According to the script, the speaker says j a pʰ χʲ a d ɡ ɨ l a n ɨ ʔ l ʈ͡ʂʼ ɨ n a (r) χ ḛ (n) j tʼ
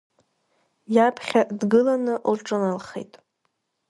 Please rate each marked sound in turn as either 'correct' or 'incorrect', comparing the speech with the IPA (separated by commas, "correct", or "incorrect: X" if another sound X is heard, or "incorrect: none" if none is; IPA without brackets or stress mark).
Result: incorrect: l, incorrect: none